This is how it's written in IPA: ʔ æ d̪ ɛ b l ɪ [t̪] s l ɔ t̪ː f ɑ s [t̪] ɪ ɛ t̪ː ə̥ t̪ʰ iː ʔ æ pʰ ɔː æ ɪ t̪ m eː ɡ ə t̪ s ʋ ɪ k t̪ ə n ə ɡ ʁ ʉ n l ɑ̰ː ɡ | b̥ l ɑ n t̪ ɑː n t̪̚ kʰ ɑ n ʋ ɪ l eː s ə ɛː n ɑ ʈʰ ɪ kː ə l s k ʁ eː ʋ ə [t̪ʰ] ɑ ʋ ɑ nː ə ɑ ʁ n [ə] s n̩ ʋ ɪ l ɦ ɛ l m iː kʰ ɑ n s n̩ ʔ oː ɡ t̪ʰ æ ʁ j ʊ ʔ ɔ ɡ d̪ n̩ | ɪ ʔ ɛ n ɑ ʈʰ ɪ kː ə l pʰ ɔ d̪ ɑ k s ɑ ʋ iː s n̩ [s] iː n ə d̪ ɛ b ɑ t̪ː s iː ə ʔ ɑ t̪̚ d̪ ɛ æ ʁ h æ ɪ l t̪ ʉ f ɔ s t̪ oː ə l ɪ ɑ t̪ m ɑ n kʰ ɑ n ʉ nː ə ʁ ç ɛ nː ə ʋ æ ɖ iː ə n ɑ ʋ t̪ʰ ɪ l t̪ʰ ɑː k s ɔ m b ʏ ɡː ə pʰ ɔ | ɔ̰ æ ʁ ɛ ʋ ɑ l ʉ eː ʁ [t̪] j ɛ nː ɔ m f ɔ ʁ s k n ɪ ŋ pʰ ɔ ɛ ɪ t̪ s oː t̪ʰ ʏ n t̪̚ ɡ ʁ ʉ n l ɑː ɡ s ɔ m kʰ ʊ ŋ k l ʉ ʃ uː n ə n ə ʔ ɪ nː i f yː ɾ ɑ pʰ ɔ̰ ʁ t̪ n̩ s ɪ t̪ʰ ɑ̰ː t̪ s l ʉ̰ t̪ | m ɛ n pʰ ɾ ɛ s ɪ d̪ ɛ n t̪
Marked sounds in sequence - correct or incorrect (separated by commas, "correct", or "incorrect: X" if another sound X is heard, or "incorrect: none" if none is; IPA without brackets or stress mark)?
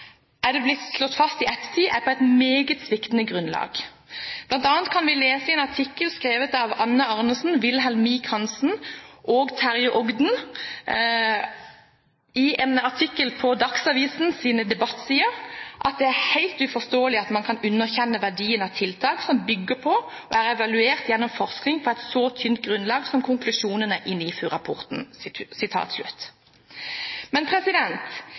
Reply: correct, correct, incorrect: t̪, correct, correct, correct